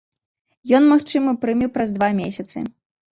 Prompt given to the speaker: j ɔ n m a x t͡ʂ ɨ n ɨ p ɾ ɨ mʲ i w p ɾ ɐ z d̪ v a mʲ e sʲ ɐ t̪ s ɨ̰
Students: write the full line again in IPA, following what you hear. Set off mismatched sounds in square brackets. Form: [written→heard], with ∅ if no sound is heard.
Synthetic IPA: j ɔ n m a x t͡ʂ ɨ [n→m] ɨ p ɾ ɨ mʲ i w p ɾ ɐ z d̪ v a mʲ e sʲ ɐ t̪ s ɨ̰